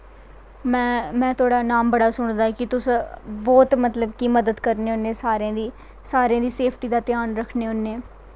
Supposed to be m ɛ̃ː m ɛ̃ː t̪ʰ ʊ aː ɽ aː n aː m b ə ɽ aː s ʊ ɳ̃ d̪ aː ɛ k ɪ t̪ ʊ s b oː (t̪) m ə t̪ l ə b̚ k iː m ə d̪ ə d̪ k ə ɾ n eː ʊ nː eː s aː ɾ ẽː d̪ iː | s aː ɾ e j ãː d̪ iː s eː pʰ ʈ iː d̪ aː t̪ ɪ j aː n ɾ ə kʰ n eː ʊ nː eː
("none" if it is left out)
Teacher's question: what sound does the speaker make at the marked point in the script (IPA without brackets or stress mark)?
t̪